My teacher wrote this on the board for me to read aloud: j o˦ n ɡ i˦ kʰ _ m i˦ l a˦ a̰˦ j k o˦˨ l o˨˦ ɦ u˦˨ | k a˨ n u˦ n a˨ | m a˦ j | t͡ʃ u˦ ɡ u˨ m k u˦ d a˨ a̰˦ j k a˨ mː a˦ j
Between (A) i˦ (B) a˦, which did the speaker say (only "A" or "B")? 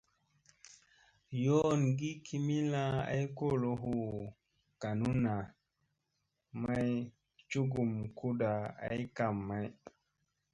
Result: A